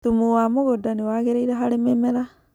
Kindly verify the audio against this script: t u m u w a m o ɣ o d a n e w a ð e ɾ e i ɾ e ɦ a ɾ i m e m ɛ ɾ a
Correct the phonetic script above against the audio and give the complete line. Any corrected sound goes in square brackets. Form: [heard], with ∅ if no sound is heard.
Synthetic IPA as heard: t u m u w a m o ɣ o d a n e w a [ɣ] e ɾ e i ɾ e ɦ a ɾ [e] m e m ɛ ɾ a